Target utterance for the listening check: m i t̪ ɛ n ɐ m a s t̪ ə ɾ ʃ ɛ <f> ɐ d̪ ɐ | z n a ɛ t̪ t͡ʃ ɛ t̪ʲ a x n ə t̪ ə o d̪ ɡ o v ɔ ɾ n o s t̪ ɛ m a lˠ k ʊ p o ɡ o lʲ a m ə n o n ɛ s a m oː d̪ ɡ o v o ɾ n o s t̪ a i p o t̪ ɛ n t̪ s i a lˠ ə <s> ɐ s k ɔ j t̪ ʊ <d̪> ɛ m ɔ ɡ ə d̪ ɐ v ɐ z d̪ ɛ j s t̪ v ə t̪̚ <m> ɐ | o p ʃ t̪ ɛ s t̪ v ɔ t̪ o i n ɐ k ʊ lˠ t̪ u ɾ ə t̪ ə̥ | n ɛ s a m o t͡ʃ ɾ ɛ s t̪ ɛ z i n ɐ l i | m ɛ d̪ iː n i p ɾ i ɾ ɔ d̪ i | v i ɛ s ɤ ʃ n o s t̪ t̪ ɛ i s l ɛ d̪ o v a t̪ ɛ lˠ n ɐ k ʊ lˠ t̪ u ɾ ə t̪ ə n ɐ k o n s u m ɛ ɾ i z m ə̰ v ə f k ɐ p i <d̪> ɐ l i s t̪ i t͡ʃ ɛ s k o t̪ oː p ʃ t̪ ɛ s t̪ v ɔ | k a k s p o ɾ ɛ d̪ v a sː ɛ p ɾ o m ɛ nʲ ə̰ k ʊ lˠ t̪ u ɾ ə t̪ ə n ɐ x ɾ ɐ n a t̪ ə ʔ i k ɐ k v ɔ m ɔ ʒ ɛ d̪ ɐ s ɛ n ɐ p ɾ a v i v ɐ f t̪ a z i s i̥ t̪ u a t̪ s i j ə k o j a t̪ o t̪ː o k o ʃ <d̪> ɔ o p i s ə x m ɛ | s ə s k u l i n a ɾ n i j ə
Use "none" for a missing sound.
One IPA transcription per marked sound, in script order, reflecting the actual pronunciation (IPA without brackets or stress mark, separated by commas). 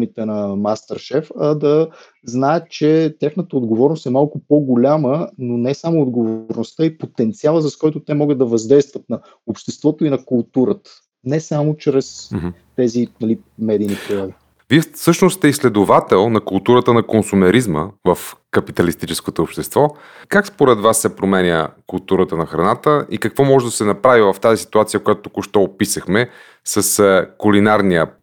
f, z, t̪, n, t̪, t̪